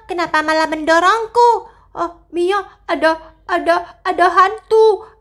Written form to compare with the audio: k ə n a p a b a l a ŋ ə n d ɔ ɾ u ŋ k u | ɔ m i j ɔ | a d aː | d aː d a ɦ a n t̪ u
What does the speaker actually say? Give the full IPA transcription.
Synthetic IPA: k ə n a p a m a l a m ə n d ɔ ɾ ɔ ŋ k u | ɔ m i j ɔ | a d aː | d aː d a ɦ a n t̪ u